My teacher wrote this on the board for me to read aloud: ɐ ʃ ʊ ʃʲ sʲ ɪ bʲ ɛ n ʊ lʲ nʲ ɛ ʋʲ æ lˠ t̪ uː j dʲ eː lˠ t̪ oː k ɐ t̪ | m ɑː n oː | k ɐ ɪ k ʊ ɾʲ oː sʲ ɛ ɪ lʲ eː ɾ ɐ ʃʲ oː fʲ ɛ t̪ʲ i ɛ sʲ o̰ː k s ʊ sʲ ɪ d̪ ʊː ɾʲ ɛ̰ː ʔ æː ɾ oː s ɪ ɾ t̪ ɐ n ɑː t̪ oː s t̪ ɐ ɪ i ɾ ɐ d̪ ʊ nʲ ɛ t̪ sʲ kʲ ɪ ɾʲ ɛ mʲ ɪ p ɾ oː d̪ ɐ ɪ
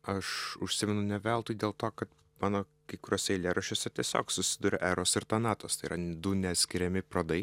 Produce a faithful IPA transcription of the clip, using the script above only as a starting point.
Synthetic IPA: ɐ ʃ ʊ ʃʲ sʲ ɪ mʲ ɛ n ʊ nʲ ɛ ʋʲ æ lˠ t̪ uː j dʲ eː lˠ t̪ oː k ɐ t̪ | m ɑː n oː | k ɐ ɪ k ʊ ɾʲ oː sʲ ɛ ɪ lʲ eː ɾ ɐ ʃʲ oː sʲ ɛ t̪ʲ i ɛ sʲ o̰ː k s ʊ sʲ ɪ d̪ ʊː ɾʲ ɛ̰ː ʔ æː ɾ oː s ɪ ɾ t̪ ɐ n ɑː t̪ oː s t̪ ɐ ɪ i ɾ ɐ d̪ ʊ nʲ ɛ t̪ sʲ kʲ ɪ ɾʲ ɛ mʲ ɪ p ɾ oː d̪ ɐ ɪ